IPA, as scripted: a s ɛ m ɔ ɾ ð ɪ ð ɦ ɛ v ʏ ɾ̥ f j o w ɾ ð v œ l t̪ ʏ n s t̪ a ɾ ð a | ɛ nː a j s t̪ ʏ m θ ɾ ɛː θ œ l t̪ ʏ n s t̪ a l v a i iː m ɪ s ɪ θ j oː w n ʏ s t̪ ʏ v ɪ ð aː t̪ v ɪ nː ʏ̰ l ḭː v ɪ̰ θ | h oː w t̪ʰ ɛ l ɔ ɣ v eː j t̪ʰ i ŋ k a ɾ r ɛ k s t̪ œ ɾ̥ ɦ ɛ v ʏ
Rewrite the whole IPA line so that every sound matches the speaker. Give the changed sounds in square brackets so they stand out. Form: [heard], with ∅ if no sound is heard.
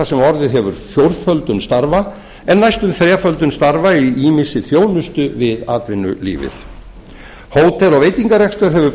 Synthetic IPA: a s ɛ m ɔ ɾ ð ɪ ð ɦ ɛ v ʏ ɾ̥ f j o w ɾ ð [f] œ l t̪ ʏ n s t̪ a ɾ [v] a | ɛ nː a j s t̪ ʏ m θ ɾ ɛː [f] œ l t̪ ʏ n s t̪ a [ɾ] v a i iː m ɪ s ɪ θ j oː w n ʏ s t̪ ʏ v ɪ ð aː t̪ v ɪ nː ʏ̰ l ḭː v ɪ̰ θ | h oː w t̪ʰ ɛ l ɔ ɣ v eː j [t̪] i ŋ k a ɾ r ɛ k s t̪ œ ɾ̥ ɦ ɛ v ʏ

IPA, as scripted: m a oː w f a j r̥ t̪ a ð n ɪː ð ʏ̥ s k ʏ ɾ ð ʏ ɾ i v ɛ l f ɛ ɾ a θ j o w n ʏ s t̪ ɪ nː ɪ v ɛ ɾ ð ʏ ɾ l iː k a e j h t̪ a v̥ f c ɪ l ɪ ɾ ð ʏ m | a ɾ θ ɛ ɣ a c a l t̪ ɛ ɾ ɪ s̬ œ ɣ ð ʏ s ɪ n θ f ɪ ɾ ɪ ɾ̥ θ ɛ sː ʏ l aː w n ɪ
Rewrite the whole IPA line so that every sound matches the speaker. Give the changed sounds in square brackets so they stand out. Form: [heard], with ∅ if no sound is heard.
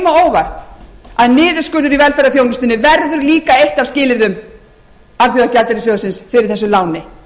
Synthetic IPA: m a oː w [v] a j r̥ t̪ a ð n ɪː ð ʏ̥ s k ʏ ɾ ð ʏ ɾ i v ɛ l f ɛ ɾ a θ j o w n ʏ s t̪ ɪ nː ɪ v ɛ ɾ ð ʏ ɾ l iː k a e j h t̪ a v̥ [s] c [ɪː] l ɪ ɾ ð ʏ m | a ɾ θ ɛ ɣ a c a l t̪ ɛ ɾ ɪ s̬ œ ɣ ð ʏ s ɪ n [s] f ɪ ɾ ɪ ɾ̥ θ ɛ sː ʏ l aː w n ɪ

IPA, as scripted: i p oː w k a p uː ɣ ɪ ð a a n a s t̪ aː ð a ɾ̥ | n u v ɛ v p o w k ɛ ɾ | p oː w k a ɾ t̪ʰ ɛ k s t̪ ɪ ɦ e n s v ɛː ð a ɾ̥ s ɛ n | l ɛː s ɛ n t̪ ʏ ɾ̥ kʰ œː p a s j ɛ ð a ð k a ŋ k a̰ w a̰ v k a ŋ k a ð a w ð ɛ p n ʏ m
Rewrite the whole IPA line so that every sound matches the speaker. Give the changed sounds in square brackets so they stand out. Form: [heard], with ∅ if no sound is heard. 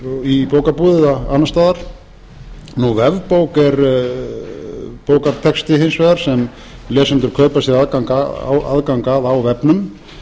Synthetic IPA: i p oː w k a p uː [ð] ɪ ð a a n a s t̪ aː ð a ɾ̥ | n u v ɛ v p o w k ɛ ɾ | p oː w k a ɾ t̪ʰ ɛ k s t̪ ɪ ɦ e n s v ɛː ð a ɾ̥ s ɛ [m] | l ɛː s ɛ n t̪ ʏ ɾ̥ kʰ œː p a s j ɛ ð a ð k a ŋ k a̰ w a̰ [ð] k a ŋ k a ð a w [v] ɛ p n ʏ m

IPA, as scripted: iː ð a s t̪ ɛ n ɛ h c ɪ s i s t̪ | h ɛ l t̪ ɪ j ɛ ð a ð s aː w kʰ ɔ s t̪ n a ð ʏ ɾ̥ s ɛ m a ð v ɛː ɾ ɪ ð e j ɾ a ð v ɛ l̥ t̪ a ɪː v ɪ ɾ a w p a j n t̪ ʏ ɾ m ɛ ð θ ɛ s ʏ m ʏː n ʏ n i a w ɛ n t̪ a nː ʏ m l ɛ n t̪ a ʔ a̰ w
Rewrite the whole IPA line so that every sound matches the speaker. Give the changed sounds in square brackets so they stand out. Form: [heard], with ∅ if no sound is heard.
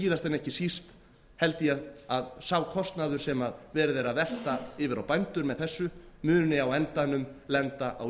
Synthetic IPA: iː ð a s t̪ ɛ n ɛ h c ɪ s i s t̪ | h ɛ l t̪ ɪ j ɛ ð a ð s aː w kʰ ɔ s t̪ n a ð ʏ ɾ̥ s ɛ m a ð v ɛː ɾ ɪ ð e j ɾ a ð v ɛ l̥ t̪ a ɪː v ɪ ɾ a w p a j n t̪ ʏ ɾ m ɛ ð θ ɛ [sː] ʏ m ʏː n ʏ n [ɪ] a w ɛ n t̪ a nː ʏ m l ɛ n t̪ a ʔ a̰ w

